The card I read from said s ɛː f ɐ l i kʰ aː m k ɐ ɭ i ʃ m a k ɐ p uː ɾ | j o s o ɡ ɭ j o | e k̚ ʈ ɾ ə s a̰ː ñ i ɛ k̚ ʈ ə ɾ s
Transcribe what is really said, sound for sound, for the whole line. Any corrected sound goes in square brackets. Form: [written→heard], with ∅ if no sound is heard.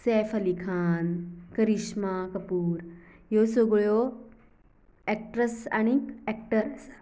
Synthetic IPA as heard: s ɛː f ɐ l i kʰ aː [m→n] k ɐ [ɭ→ɾ] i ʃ m a k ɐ p uː ɾ | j o s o ɡ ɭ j o | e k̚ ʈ ɾ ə s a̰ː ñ i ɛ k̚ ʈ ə ɾ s